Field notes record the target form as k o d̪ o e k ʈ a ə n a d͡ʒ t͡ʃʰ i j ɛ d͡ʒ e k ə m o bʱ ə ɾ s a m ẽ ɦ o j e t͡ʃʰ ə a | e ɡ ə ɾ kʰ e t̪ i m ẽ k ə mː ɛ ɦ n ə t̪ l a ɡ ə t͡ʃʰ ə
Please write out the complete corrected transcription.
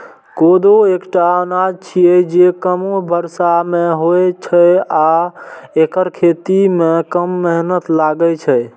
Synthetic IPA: k o d̪ o e k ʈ a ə n a d͡ʒ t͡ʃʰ i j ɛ d͡ʒ e k ə m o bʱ ə ɾ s a m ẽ ɦ o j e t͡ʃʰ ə a | e k ə ɾ kʰ e t̪ i m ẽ k ə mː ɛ ɦ n ə t̪ l a ɡ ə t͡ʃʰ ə

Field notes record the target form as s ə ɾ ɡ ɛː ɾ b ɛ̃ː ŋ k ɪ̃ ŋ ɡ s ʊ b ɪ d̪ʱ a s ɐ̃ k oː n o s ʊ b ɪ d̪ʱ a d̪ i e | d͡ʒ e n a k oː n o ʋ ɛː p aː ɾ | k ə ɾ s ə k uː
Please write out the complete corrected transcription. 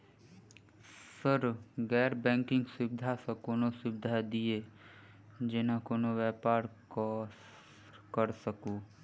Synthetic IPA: s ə ɾ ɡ ɛː ɾ b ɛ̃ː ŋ k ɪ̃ ŋ ɡ s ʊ b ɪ d̪ʱ a s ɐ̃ k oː n o s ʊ b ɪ d̪ʱ a d̪ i e | d͡ʒ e n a k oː n o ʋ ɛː p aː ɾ | k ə ɾ s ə k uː

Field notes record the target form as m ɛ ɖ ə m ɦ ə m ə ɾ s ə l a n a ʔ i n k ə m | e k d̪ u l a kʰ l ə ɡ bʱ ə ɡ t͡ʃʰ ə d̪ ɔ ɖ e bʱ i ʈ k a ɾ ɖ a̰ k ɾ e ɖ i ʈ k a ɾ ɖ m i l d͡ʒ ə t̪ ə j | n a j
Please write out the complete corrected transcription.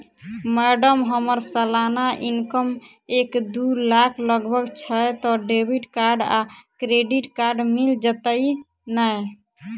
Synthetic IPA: m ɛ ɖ ə m ɦ ə m ə ɾ s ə l a n a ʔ i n k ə m | e k d̪ u l a kʰ l ə ɡ bʱ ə ɡ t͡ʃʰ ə t̪ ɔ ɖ e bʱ i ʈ k a ɾ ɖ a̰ k ɾ e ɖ i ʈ k a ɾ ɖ m i l d͡ʒ ə t̪ ə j | n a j

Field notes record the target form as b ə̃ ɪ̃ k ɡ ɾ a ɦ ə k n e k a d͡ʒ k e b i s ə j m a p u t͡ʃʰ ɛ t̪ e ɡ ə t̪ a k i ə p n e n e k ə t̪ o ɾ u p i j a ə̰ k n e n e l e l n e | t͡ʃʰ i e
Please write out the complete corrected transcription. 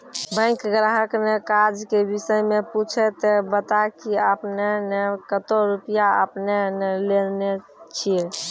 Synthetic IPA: b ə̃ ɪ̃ k ɡ ɾ a ɦ ə k n e k a d͡ʒ k e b i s ə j m e p u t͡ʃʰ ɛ t̪ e b ə t̪ a k i ə p n e n e k ə t̪ o ɾ u p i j a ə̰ p n e n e l e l n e | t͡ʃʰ i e

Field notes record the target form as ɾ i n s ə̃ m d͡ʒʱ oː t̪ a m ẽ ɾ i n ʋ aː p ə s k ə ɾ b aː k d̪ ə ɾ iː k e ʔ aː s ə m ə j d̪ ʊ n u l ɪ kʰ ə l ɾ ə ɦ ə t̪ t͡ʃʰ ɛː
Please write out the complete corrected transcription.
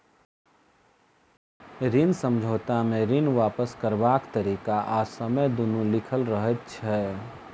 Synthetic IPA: ɾ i n s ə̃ m d͡ʒʱ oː t̪ a m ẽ ɾ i n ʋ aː p ə s k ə ɾ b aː k t̪ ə ɾ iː k a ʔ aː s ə m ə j d̪ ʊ n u l ɪ kʰ ə l ɾ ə ɦ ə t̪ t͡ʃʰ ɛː

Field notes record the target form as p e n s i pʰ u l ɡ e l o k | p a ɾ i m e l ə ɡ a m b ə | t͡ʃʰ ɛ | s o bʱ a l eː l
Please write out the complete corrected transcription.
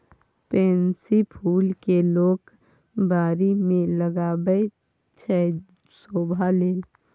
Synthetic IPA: p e n s i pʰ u l k e l o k | b a ɾ i m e l ə ɡ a b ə | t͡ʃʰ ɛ | s o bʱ a l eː l

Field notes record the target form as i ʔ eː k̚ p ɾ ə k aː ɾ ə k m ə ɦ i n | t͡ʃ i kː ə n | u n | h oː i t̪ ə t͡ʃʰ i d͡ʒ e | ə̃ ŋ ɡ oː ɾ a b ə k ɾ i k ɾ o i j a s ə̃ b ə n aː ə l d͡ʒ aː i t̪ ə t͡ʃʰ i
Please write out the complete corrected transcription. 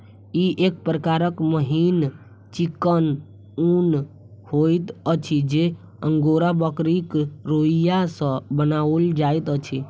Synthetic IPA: i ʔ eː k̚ p ɾ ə k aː ɾ ə k m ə ɦ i n | t͡ʃ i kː ə n | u n | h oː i t̪ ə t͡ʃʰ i d͡ʒ e | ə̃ ŋ ɡ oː ɾ a b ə k ɾ i k ɾ o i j a s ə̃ b ə n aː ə l d͡ʒ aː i t̪ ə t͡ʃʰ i

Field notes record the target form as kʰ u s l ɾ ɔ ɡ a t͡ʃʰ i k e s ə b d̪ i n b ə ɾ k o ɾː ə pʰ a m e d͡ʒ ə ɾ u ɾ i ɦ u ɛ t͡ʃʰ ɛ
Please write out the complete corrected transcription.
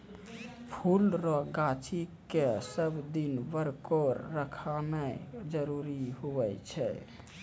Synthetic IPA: pʰ u l ɾ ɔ ɡ a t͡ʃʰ i k e s ə b d̪ i n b ə ɾ k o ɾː ə kʰ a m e d͡ʒ ə ɾ u ɾ i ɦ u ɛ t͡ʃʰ ɛ

